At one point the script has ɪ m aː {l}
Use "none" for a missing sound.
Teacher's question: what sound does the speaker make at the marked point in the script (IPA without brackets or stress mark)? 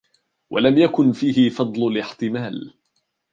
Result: l